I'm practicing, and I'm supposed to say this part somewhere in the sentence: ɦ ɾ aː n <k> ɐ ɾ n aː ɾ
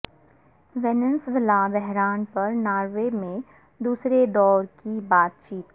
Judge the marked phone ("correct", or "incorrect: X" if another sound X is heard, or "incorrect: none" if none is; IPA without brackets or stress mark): incorrect: p